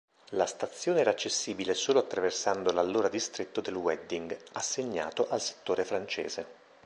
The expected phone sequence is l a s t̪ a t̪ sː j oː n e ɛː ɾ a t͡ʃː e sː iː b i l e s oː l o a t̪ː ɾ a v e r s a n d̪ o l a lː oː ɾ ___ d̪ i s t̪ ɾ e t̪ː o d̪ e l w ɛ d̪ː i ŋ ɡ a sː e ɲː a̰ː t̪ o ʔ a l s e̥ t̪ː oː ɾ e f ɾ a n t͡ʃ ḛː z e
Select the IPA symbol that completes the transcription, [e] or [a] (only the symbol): a